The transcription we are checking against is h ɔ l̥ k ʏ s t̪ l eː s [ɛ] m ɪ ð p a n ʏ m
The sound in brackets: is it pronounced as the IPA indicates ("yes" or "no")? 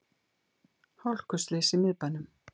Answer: no